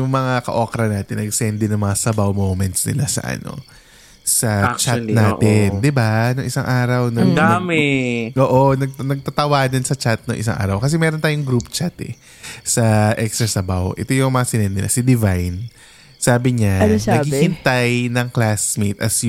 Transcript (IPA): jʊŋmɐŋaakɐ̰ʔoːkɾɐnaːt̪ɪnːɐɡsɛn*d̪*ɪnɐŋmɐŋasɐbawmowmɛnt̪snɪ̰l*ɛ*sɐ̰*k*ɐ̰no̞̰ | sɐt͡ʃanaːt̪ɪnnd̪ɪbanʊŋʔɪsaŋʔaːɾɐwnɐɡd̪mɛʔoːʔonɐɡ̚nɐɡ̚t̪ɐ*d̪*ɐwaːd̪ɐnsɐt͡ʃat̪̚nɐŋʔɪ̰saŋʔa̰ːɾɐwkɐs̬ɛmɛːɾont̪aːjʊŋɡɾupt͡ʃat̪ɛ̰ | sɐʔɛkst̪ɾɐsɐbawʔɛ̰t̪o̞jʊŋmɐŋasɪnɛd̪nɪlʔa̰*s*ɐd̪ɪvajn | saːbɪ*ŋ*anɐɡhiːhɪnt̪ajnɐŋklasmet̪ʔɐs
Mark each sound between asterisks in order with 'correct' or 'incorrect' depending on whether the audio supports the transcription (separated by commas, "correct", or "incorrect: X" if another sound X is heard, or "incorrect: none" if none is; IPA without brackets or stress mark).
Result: correct, incorrect: a, incorrect: ʔ, incorrect: t̪, correct, incorrect: ɲ